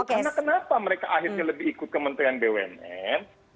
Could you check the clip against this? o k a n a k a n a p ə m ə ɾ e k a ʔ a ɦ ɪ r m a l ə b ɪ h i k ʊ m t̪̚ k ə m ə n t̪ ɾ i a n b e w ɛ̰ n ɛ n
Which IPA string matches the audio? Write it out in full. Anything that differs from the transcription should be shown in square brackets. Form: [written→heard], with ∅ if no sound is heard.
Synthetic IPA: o k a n a k [a→ə] n a p [ə→a] m ə ɾ e k a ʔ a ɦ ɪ r [m→ɲ] a l ə b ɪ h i k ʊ [m→∅] t̪̚ k ə m ə n t̪ ɾ i a n b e w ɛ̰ n ɛ n